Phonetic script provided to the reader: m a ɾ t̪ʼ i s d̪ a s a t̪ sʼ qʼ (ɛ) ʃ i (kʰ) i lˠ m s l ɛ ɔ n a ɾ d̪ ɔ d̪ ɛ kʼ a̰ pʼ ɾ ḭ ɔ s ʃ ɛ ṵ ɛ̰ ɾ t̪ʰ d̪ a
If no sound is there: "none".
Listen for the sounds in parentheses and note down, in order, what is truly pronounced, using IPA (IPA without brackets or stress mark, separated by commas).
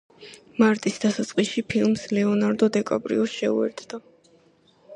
i, pʰ